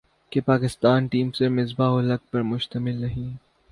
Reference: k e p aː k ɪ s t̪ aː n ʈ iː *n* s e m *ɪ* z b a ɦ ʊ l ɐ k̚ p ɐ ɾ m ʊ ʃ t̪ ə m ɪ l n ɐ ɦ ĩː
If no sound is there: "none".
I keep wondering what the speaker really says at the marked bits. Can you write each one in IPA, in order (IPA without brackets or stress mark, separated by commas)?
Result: m, ɪ